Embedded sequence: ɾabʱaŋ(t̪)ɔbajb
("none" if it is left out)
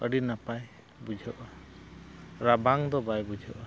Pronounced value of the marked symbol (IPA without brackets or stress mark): d̪